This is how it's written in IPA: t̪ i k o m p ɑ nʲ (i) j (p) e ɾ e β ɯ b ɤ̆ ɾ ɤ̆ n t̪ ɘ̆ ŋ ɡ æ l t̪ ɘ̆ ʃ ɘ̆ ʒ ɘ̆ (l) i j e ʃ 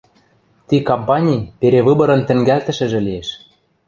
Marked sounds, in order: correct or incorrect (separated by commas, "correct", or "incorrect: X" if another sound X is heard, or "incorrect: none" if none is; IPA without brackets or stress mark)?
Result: correct, correct, correct